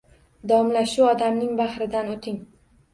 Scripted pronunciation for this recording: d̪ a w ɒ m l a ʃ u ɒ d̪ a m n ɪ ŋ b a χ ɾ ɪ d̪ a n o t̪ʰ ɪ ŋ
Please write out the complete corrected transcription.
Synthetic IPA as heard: d̪ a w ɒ m l a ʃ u ɒ d̪ a m n ɪ ŋ b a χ ɾ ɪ d̪ a n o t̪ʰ ɪ ŋ

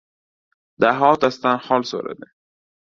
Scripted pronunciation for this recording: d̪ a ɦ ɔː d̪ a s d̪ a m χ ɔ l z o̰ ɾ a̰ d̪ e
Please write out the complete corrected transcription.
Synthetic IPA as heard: d̪ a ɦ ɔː t̪ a s t̪ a n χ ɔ l s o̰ ɾ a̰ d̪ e

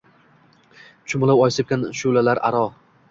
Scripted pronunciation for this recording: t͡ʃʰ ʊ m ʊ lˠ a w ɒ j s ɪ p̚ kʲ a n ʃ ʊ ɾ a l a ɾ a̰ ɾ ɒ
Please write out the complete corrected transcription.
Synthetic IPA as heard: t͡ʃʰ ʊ m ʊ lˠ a w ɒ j s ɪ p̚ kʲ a n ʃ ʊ l a l a ɾ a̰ ɾ ɒ

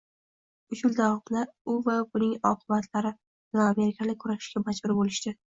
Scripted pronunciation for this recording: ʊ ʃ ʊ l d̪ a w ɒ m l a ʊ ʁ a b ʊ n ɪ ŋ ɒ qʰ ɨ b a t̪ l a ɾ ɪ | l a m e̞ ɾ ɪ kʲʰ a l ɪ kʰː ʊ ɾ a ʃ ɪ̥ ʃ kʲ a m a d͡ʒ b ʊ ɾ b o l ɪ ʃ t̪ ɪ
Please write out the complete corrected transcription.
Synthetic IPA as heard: ʊ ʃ ʊ l d̪ a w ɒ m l a ʊ v a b ʊ n ɪ ŋ ɒ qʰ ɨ b a t̪ l a ɾ ɪ | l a m e̞ ɾ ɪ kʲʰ a l ɪ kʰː ʊ ɾ a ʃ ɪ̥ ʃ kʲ a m a d͡ʒ b ʊ ɾ b o l ɪ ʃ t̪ ɪ

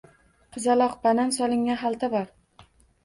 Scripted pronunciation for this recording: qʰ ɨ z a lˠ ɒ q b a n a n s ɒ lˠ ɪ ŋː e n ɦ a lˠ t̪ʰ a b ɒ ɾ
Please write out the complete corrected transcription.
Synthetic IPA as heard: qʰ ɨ z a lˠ ɒ q b a n a n s ɒ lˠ ɪ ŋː a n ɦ a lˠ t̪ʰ a b ɒ ɾ

